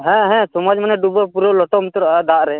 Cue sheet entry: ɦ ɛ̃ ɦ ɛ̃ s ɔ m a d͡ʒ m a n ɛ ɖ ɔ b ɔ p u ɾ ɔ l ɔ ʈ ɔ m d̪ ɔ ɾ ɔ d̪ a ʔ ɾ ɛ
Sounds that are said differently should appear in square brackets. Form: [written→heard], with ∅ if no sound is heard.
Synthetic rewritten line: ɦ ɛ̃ ɦ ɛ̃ s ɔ m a d͡ʒ m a n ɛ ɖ [ɔ→u] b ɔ p u ɾ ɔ l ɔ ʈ ɔ m [d̪→t̪] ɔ ɾ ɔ d̪ a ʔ ɾ ɛ